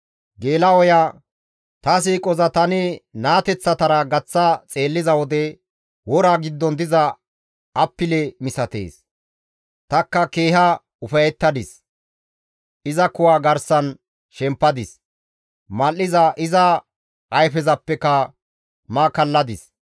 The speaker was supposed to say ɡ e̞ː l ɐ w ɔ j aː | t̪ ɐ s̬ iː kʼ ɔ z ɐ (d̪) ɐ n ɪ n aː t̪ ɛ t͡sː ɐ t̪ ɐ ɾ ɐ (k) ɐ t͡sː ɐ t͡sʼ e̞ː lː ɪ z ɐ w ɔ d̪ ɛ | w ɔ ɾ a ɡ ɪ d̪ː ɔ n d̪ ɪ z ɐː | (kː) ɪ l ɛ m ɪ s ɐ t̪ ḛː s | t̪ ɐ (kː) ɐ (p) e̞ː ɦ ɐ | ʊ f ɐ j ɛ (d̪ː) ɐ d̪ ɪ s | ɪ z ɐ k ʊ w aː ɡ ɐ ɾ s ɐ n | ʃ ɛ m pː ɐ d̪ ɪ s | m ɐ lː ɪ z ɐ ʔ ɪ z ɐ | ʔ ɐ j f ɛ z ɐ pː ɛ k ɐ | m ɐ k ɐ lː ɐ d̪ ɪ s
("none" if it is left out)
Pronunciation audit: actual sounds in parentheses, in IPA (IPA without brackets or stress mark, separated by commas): t̪, ɡ, pː, kː, k, t̪ː